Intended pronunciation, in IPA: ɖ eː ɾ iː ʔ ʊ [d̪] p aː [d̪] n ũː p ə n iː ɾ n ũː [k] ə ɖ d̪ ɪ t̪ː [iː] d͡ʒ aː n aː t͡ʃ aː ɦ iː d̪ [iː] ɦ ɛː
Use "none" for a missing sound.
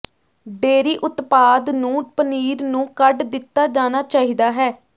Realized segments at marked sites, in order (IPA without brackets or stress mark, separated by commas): t̪, d̪, k, aː, aː